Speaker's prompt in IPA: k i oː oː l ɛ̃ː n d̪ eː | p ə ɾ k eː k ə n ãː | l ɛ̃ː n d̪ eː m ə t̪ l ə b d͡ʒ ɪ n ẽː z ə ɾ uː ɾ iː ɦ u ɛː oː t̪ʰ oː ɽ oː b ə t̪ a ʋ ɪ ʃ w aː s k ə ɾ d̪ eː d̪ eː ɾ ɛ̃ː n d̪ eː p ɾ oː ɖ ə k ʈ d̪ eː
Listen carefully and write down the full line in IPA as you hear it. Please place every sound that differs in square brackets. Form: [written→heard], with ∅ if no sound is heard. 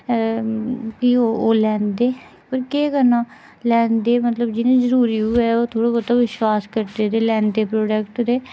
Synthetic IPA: k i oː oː l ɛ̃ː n d̪ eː | p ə ɾ k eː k ə n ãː | l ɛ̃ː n d̪ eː m ə t̪ l ə b d͡ʒ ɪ n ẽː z ə ɾ uː ɾ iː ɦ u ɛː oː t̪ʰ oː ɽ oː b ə t̪ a ʋ ɪ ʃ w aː s k ə ɾ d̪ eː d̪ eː [ɾ→l] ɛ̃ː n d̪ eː p ɾ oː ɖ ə k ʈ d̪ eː

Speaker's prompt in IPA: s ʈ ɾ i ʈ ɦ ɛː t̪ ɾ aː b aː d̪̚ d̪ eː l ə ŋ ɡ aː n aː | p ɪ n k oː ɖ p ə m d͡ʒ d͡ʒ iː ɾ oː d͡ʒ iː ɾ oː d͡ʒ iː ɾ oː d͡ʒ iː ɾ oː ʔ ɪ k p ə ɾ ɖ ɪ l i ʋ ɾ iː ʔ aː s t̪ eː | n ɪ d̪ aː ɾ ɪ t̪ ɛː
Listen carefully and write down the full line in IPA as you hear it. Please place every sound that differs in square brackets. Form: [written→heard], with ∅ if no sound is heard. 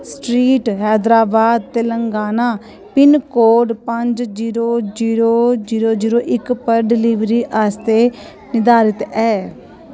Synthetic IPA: s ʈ ɾ [i→iː] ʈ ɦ ɛː [t̪→d̪] ɾ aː b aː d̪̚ [d̪→t̪] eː l ə ŋ ɡ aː n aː | p ɪ n k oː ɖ p ə [m→ɲ] d͡ʒ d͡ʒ iː ɾ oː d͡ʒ iː ɾ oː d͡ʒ iː ɾ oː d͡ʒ iː ɾ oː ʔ ɪ k p ə ɾ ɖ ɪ l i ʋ ɾ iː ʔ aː s t̪ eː | n ɪ d̪ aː ɾ ɪ t̪ ɛː

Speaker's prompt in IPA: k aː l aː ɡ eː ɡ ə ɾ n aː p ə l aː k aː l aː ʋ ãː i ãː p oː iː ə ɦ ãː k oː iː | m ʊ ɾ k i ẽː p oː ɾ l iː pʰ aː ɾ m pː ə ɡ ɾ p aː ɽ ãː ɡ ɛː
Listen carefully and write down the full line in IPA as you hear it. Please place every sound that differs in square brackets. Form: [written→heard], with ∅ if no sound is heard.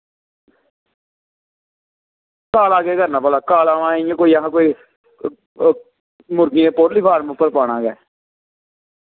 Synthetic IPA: k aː l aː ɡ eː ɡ ə ɾ n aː p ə l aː k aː l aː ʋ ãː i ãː [p→k] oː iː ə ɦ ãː k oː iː | m ʊ ɾ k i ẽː p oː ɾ l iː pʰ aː ɾ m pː ə [ɡ→∅] ɾ p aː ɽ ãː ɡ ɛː

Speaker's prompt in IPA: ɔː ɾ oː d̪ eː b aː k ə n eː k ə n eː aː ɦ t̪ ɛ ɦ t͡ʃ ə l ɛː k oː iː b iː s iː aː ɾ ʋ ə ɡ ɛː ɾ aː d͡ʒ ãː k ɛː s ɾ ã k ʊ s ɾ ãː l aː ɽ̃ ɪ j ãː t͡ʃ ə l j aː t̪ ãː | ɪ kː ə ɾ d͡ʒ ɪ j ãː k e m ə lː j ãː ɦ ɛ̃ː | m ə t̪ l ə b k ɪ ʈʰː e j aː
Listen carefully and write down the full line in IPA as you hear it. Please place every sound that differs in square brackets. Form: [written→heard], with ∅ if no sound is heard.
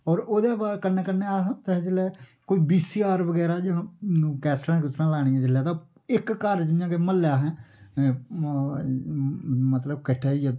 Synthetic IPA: ɔː ɾ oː d̪ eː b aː k ə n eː k ə n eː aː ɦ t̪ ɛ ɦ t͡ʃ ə l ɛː k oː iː b iː s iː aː ɾ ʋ ə ɡ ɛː ɾ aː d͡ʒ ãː k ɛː s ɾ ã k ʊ s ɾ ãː l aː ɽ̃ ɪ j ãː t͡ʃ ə l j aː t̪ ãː | ɪ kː ə ɾ d͡ʒ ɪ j ãː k e m ə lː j [ãː→aː] ɦ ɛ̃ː | m ə t̪ l ə b k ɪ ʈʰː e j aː

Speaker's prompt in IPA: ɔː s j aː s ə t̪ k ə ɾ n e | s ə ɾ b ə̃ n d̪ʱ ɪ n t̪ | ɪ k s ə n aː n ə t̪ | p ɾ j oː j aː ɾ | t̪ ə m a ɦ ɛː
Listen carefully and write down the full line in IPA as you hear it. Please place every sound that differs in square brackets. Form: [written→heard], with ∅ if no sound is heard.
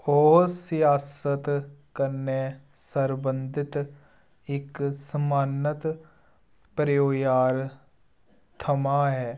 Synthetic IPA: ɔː s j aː s ə t̪ k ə ɾ n e | s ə ɾ b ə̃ n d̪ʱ ɪ [n→∅] t̪ | ɪ k s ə [n→m] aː n ə t̪ | p ɾ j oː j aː ɾ | [t̪→t̪ʰ] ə m a ɦ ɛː

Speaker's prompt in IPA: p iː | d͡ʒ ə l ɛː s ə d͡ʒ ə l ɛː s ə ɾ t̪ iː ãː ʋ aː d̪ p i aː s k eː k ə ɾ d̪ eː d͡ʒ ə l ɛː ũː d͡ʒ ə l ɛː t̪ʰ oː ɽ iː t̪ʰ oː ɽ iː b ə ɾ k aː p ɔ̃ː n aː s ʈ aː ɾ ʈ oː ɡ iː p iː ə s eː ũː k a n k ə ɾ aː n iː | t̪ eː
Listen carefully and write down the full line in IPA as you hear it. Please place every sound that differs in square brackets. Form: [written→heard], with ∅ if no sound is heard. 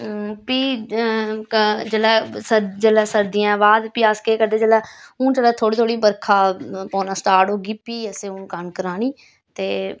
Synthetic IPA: p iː | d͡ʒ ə l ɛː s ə d͡ʒ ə l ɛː s ə ɾ [t̪→d̪] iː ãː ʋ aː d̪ p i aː s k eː k ə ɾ d̪ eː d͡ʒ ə l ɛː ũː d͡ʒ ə l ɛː t̪ʰ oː ɽ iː t̪ʰ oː ɽ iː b ə ɾ [k→kʰ] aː p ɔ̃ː n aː s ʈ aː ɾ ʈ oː ɡ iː p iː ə s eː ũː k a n k ə ɾ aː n iː | t̪ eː

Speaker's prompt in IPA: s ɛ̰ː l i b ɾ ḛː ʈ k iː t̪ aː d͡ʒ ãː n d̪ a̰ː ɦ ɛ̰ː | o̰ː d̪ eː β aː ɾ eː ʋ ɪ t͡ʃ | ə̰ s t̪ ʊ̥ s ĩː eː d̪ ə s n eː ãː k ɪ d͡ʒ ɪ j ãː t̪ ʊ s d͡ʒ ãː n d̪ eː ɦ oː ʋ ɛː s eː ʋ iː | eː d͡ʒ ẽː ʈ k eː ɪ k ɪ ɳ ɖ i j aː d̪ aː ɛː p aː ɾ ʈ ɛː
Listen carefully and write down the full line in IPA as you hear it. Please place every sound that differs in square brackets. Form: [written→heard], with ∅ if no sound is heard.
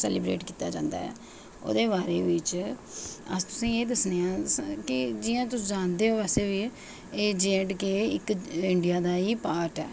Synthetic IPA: s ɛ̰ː l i b ɾ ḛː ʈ k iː t̪ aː d͡ʒ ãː n d̪ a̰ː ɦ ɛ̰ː | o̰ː d̪ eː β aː ɾ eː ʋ ɪ t͡ʃ | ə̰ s t̪ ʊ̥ s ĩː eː d̪ ə s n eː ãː k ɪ d͡ʒ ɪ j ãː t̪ ʊ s d͡ʒ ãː n d̪ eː ɦ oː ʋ ɛː s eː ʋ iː | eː d͡ʒ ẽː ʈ k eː ɪ k ɪ ɳ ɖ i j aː d̪ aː [ɛː→iː] p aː ɾ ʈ ɛː

